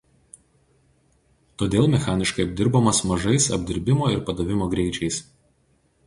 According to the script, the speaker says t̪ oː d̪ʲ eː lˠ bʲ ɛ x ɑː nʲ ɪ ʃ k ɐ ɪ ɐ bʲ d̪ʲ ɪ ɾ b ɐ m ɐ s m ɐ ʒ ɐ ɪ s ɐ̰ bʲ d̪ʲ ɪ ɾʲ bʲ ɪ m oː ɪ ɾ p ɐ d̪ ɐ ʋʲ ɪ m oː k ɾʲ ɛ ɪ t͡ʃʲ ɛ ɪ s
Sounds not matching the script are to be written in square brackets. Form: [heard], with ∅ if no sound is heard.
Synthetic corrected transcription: t̪ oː d̪ʲ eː lˠ [mʲ] ɛ x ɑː nʲ ɪ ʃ k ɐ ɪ ɐ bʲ d̪ʲ ɪ ɾ b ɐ m ɐ s m ɐ ʒ ɐ ɪ s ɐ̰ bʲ d̪ʲ ɪ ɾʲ bʲ ɪ m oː ɪ ɾ p ɐ d̪ ɐ ʋʲ ɪ m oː [ɡ] ɾʲ ɛ ɪ t͡ʃʲ ɛ ɪ s